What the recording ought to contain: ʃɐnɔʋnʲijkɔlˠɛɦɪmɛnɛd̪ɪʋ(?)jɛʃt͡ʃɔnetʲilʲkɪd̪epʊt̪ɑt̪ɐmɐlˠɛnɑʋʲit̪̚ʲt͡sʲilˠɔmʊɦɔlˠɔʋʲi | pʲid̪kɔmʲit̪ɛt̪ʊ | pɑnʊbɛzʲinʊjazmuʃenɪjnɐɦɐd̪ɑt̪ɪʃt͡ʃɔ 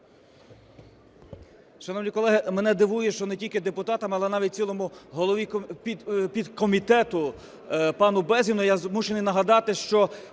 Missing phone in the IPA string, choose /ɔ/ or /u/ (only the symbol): u